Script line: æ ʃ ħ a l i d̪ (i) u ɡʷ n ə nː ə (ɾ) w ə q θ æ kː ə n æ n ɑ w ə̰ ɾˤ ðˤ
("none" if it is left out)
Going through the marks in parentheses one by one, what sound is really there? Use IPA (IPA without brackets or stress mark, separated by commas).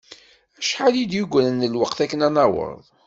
j, l